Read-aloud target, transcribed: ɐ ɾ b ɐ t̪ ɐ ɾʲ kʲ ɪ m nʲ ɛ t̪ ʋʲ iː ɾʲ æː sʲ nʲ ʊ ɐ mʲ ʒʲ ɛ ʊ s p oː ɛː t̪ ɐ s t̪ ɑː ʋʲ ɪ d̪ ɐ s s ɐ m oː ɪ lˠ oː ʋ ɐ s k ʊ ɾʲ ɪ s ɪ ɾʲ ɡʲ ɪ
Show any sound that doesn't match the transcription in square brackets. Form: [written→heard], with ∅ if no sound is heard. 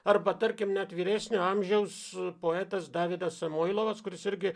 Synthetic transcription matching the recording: ɐ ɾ b ɐ t̪ ɐ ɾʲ kʲ ɪ m nʲ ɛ t̪ ʋʲ iː ɾʲ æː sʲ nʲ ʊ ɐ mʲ ʒʲ ɛ ʊ s p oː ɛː t̪ ɐ s [t̪→d̪] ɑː ʋʲ ɪ d̪ ɐ s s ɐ m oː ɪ lˠ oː ʋ ɐ s k ʊ ɾʲ ɪ s ɪ ɾʲ ɡʲ ɪ